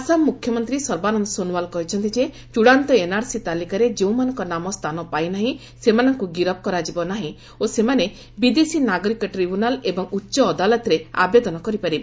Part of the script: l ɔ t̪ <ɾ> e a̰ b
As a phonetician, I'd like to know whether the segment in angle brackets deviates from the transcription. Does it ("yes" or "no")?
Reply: no